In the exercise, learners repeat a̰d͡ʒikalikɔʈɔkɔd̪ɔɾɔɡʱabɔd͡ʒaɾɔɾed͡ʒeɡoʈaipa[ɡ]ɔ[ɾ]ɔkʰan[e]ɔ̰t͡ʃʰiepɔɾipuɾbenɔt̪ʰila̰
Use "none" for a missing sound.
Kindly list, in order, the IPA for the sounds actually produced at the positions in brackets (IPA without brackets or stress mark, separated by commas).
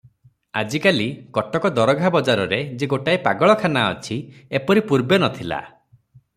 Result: ɡ, ɭ, a